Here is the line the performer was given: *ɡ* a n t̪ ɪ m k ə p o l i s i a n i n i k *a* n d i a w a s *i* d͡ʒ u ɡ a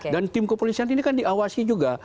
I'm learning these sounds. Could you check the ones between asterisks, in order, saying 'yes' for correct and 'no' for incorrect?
no, yes, yes

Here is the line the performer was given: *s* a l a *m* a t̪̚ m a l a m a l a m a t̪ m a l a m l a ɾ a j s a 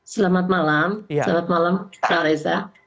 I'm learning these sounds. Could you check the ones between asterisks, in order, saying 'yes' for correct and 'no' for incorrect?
yes, yes

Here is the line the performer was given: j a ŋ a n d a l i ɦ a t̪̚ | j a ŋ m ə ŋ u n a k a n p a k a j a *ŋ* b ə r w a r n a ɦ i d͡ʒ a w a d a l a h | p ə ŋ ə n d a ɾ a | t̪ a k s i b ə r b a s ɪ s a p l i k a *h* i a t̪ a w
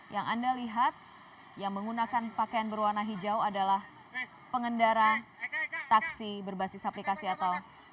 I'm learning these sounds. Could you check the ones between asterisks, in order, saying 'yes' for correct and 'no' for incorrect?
no, no

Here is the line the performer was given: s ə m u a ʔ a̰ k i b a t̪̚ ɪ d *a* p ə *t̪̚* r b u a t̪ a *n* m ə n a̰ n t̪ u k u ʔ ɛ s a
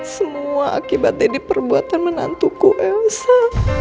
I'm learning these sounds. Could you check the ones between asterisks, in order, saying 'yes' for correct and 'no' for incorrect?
no, no, yes

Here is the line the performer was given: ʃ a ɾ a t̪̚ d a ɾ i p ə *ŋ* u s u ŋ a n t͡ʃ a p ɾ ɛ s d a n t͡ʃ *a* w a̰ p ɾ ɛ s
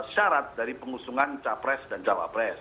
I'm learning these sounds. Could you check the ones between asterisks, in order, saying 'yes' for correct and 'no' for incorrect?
yes, yes

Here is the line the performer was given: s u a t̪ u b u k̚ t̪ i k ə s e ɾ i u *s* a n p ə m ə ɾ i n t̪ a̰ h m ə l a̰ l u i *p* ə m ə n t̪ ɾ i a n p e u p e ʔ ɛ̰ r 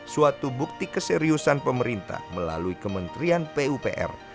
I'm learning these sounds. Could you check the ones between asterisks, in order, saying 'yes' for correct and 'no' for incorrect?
yes, no

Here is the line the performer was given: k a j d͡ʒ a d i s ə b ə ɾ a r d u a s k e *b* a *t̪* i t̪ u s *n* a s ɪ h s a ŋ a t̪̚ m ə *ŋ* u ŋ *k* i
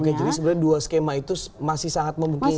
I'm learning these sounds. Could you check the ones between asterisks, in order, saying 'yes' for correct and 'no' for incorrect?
no, no, no, no, yes

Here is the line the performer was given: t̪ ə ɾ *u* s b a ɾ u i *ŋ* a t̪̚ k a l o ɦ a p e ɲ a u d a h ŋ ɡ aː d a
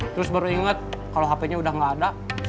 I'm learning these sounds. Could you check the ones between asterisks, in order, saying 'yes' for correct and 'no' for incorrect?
no, yes

